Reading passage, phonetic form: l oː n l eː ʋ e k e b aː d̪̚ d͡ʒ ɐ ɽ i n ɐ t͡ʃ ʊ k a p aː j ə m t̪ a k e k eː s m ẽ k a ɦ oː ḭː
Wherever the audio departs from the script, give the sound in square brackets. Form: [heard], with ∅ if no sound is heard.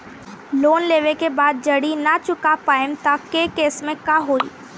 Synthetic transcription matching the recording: l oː n l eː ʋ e k e b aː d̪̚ d͡ʒ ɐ ɽ i n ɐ t͡ʃ ʊ k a p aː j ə m t̪ a k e k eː s m ẽ k a ɦ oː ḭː